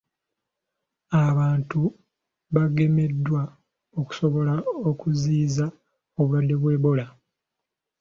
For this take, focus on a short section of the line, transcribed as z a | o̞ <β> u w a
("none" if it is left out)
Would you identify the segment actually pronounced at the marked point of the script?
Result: β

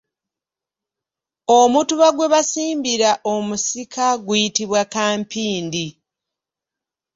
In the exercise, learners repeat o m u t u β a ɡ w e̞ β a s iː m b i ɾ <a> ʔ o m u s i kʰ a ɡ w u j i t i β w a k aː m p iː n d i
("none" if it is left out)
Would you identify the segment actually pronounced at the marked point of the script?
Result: a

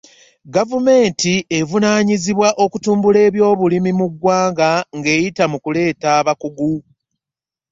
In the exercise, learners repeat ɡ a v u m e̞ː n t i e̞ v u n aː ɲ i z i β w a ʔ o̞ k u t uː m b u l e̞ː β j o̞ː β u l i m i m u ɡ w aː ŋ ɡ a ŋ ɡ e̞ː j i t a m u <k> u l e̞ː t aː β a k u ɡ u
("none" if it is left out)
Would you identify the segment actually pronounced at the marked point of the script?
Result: k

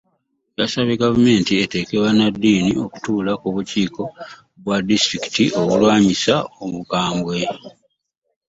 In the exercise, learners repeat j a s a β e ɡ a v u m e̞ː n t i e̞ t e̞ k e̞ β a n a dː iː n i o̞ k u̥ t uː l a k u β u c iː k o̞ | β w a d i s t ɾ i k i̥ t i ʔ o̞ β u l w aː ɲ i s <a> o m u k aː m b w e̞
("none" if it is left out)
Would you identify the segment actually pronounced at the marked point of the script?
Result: a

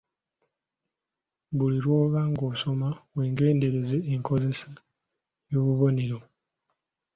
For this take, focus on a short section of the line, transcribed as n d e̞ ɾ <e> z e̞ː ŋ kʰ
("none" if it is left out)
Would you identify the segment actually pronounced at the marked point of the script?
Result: e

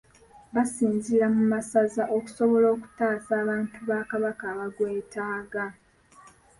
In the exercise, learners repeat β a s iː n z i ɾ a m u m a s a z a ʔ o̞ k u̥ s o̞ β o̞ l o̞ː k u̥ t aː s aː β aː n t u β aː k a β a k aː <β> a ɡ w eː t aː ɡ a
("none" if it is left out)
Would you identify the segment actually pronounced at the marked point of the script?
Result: β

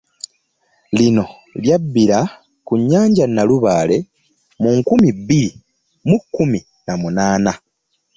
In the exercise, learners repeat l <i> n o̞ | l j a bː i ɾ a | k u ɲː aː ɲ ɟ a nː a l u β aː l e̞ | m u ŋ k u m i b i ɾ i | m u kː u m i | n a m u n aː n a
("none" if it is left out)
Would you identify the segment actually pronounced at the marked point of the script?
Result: i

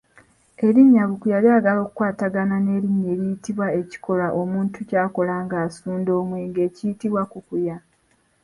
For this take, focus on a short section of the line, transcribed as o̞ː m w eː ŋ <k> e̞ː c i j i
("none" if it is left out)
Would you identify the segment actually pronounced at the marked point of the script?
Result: ɡ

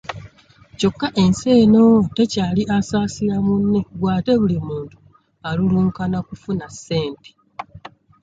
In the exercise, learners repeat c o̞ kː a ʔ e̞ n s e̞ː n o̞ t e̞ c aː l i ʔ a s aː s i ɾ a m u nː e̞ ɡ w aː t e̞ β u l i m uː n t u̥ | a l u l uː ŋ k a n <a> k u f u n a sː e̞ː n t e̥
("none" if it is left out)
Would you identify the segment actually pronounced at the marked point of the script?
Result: a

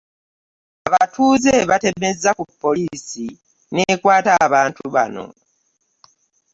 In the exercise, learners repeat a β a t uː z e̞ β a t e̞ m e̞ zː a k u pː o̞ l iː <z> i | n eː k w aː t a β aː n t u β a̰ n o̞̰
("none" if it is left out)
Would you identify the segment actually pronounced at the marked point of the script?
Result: s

